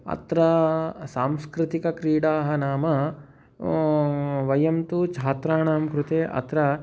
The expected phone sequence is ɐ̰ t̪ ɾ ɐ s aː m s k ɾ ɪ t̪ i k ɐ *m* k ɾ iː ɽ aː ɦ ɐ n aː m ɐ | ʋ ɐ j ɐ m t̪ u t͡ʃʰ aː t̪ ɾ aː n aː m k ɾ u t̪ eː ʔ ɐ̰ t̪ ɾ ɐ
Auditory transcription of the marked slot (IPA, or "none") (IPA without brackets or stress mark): none